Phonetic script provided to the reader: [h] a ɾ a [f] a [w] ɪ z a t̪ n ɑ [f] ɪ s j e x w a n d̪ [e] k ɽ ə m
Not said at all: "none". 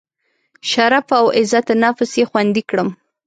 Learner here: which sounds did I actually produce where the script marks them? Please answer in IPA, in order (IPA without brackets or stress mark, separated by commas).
ʃ, f, w, f, i